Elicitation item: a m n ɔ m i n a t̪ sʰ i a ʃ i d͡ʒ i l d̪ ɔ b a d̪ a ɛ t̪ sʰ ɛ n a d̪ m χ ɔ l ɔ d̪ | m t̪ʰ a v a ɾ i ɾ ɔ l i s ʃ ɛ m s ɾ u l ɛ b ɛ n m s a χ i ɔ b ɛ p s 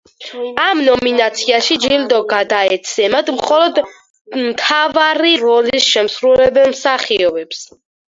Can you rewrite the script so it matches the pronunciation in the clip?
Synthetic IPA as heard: a m n ɔ m i n a t̪ sʰ i a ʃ i d͡ʒ i l d̪ ɔ ɡ a d̪ a ɛ t̪ sʰ ɛ m a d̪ m χ ɔ l ɔ d̪ | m t̪ʰ a v a ɾ i ɾ ɔ l i s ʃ ɛ m s ɾ u l ɛ b ɛ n m s a χ i ɔ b ɛ p s